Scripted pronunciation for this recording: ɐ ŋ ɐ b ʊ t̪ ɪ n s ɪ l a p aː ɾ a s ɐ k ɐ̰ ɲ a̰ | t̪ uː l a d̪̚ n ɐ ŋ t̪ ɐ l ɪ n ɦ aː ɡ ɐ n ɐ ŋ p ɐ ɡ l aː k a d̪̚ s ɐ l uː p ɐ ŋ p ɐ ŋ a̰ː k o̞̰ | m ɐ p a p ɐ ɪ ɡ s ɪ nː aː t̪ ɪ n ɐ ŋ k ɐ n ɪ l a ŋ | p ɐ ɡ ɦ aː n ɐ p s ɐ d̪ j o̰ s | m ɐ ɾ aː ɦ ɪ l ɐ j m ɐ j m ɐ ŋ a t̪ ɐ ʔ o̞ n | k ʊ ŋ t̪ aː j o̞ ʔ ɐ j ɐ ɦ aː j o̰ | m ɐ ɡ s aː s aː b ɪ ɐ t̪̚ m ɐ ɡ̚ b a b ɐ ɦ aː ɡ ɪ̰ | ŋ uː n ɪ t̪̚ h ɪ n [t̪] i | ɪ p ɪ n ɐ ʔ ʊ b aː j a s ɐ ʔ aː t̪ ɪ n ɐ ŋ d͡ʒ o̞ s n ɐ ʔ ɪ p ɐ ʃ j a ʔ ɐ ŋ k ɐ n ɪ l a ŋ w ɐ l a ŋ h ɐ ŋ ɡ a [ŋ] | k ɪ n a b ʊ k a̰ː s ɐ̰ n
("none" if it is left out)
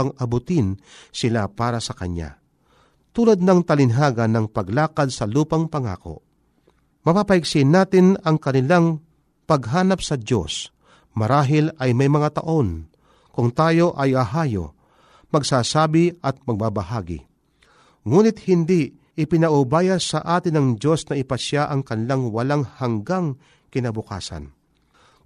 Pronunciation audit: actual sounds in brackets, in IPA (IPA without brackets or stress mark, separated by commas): d̪, ŋ